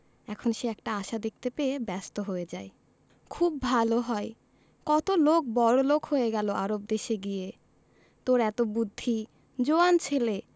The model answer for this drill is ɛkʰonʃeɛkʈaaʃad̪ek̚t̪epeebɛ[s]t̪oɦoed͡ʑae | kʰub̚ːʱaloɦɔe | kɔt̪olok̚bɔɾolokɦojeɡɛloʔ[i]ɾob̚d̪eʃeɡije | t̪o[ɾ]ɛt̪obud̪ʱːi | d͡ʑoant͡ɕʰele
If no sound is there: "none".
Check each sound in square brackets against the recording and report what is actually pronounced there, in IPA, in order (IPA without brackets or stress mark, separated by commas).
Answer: s, a, ɾ